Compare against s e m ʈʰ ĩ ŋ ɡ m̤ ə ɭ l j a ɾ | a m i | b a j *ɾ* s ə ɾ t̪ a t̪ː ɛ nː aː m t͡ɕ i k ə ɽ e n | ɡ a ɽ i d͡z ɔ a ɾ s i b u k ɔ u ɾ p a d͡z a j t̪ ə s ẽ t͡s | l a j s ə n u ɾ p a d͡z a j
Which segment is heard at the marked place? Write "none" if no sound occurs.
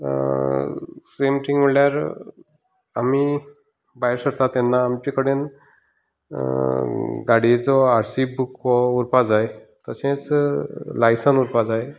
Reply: ɾ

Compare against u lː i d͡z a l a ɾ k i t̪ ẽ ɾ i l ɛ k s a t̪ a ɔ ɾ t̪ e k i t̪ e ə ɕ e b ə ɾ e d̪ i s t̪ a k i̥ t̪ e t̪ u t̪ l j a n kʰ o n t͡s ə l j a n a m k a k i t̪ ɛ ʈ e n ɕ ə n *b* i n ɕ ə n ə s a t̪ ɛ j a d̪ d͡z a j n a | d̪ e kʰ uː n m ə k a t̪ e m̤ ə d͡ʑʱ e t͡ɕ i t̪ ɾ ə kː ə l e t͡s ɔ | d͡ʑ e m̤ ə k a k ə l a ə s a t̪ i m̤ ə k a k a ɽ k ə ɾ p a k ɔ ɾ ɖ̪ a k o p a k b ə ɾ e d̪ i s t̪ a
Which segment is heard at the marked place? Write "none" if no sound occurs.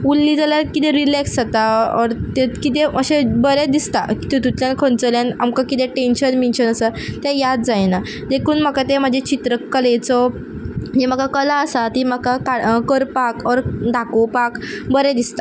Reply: m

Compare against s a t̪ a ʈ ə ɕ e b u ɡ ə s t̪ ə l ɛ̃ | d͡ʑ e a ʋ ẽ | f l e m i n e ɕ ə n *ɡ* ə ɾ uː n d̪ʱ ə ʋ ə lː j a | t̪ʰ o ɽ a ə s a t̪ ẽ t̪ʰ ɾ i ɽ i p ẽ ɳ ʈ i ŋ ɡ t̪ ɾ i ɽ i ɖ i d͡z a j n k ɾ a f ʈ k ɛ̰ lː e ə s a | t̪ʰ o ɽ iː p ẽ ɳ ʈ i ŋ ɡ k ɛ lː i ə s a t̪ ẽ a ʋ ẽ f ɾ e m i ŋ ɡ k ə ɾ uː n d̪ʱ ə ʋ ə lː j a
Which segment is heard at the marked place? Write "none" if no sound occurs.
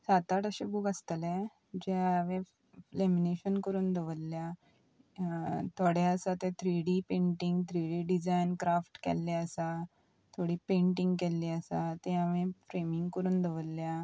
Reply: k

